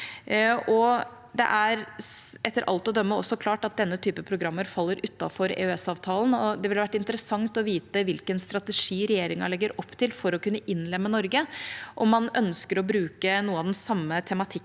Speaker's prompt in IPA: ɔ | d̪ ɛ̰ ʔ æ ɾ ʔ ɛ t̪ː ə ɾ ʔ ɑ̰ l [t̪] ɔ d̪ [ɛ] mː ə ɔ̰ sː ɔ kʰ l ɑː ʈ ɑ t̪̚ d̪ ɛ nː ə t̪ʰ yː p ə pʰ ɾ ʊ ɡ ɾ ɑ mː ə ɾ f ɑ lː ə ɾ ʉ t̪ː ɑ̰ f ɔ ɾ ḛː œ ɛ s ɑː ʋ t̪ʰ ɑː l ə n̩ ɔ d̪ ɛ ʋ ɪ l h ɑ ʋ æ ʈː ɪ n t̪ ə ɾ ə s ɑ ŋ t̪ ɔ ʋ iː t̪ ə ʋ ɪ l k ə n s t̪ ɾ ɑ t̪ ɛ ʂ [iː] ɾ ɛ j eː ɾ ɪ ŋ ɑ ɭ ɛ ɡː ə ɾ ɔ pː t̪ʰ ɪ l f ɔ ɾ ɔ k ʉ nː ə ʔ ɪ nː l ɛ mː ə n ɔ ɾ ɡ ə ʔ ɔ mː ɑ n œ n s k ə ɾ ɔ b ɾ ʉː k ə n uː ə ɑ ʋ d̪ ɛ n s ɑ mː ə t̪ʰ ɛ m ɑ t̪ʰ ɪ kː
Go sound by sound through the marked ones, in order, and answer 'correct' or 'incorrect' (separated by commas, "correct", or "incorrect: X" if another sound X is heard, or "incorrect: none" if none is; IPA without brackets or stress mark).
correct, incorrect: œ, correct